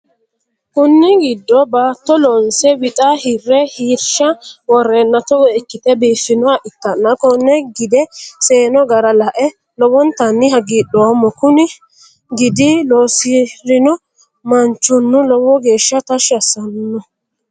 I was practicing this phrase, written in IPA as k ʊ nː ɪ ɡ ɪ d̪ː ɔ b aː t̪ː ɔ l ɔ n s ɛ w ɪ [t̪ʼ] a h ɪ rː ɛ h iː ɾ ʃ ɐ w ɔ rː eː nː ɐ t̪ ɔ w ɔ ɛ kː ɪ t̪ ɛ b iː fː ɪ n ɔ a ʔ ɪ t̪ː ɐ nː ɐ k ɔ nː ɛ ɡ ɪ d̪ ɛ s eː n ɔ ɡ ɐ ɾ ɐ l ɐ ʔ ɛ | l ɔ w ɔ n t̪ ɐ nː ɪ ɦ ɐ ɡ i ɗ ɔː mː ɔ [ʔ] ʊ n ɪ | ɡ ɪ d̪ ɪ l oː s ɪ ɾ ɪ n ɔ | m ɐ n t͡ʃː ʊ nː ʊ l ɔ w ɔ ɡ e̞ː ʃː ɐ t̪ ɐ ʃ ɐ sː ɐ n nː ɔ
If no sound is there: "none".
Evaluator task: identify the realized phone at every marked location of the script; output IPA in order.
t̪ʼ, k

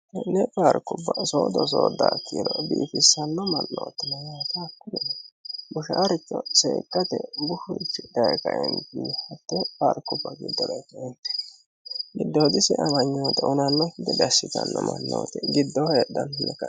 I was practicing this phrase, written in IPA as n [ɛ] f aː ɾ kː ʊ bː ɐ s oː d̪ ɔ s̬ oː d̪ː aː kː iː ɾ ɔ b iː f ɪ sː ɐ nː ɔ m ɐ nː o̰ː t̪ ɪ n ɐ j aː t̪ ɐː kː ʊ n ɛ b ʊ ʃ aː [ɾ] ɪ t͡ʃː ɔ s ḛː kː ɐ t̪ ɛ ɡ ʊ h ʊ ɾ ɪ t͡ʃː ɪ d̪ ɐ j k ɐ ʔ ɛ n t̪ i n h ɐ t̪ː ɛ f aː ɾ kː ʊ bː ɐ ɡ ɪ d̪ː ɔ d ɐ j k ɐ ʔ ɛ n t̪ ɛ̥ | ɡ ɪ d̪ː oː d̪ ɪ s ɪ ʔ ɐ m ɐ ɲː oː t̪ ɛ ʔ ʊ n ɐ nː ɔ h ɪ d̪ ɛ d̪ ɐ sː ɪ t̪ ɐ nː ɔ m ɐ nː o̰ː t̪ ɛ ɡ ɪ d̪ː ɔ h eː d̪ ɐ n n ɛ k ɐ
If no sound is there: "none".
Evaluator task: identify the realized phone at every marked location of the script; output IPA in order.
ɛ, ɾ

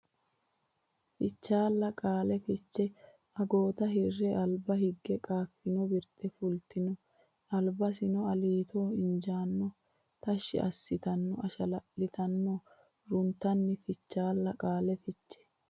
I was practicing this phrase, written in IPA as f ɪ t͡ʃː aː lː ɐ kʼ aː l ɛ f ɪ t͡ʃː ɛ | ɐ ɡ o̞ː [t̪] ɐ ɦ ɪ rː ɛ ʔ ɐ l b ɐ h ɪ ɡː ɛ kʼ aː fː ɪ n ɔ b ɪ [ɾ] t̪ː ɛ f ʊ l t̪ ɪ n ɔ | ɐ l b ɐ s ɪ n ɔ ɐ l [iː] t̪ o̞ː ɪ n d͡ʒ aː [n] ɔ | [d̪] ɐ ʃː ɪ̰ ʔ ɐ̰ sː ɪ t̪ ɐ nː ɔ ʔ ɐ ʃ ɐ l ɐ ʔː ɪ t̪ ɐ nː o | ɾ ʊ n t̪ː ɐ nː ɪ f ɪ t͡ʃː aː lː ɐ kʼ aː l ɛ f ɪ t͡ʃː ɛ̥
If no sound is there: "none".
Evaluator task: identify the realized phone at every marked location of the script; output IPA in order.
t̪, ɾ, iː, nː, t̪

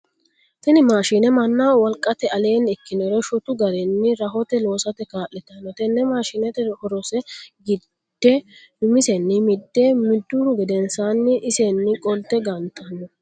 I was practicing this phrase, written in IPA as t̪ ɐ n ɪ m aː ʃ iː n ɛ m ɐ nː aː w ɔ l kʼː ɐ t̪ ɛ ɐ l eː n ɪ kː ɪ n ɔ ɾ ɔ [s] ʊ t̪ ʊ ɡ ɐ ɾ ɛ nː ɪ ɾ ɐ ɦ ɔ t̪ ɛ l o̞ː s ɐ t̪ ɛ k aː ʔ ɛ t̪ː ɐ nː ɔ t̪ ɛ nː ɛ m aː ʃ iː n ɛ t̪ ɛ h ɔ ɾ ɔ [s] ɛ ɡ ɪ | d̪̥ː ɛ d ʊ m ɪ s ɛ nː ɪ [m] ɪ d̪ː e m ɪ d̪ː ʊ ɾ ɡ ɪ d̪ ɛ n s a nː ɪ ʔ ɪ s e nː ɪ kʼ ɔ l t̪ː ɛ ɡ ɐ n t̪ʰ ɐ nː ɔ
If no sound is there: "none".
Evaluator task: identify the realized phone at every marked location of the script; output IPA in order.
ʃ, s, m

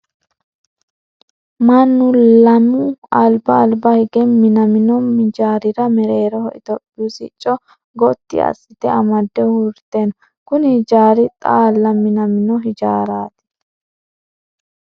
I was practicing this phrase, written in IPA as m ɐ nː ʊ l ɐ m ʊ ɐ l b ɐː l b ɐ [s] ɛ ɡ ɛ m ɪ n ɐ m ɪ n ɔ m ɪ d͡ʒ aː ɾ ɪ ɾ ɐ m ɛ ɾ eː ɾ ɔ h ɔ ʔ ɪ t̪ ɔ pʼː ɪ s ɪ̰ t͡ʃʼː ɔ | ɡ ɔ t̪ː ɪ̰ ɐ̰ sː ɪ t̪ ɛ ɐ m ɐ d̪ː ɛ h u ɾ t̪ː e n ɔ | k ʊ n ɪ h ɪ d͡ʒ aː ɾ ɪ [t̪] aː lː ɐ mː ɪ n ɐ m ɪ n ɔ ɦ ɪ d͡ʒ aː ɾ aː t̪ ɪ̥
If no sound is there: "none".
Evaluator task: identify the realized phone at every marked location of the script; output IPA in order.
h, t̪ʼ

